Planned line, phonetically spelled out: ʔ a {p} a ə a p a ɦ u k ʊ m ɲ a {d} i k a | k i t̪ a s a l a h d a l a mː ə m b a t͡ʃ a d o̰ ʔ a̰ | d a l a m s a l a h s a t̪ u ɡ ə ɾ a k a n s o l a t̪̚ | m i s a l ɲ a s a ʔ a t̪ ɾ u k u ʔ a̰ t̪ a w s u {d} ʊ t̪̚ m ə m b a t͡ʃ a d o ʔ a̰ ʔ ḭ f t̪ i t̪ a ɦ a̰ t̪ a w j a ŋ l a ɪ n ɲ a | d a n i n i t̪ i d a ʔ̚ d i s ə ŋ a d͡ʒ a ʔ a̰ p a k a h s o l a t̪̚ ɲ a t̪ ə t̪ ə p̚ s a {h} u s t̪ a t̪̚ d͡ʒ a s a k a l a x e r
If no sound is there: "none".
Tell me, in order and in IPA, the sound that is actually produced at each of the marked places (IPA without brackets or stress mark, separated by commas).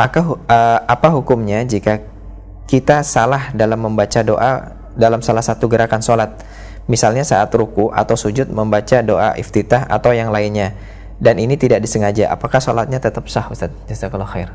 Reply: k, d͡ʒ, d͡ʒ, h